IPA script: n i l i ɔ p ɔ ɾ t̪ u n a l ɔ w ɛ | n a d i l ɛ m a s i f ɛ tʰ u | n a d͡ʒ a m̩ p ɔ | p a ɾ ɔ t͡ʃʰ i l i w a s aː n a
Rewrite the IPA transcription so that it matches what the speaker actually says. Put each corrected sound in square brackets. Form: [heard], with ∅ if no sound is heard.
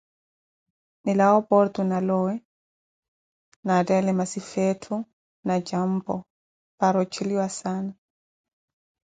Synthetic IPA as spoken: n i l [a] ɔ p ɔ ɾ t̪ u n a l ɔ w ɛ | n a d [ɛ] l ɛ m a s i f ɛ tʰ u | n a d͡ʒ a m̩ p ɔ | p a ɾ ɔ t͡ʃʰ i l i w a s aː n a